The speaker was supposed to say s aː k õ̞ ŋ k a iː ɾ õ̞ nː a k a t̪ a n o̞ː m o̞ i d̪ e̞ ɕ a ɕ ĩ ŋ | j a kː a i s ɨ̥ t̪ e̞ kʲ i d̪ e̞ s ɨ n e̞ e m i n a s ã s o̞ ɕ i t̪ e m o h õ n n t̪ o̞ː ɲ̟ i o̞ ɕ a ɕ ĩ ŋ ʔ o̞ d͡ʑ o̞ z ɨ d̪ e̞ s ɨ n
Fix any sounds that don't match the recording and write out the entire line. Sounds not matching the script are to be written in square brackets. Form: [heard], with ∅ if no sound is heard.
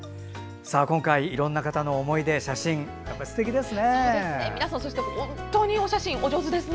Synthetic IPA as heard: s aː k õ̞ ŋ k a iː ɾ õ̞ nː a k a t̪ a n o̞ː m o̞ i d̪ e̞ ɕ a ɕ ĩ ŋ | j a [pː] a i s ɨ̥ t̪ e̞ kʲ i d̪ e̞ s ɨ n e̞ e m i n a s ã s o̞ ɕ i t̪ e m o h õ n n t̪ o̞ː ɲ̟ i o̞ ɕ a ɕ ĩ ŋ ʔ o̞ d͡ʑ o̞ z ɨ d̪ e̞ s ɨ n